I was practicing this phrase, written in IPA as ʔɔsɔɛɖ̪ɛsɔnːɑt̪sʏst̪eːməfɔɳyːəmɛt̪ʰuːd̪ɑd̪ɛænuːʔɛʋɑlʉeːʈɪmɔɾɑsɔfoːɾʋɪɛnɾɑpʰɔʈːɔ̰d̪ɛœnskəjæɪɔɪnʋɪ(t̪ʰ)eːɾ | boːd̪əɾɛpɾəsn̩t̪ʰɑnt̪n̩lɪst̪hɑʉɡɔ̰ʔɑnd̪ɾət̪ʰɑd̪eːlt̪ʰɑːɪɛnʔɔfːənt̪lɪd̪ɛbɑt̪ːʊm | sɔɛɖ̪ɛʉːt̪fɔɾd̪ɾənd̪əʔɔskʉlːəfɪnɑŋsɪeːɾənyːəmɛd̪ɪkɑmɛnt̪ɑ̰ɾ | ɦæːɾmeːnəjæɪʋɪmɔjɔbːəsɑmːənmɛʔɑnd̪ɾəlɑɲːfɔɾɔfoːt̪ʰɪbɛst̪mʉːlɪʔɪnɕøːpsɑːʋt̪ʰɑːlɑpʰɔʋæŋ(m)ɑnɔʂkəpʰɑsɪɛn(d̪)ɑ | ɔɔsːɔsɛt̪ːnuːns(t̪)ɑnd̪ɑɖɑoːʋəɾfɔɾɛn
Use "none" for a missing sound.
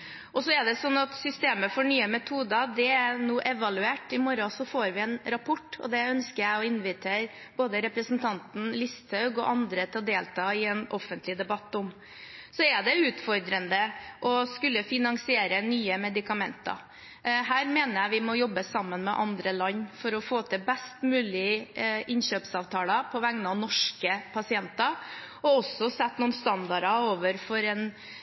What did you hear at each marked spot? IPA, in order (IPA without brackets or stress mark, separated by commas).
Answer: t̪ʰ, n, t̪, t̪